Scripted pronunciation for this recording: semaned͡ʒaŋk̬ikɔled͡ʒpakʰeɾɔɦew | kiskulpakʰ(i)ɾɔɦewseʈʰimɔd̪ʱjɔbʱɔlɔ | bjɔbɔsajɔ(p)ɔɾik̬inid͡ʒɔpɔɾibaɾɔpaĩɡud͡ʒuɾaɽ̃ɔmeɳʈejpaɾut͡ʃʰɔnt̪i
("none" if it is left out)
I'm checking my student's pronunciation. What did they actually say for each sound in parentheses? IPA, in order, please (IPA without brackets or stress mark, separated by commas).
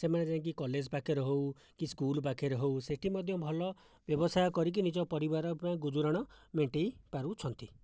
e, k